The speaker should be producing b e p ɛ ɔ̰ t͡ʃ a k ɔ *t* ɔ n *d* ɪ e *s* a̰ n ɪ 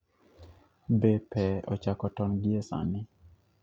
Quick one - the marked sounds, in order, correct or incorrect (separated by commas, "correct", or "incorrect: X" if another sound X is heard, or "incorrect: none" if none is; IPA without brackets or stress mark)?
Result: correct, incorrect: ɡ, correct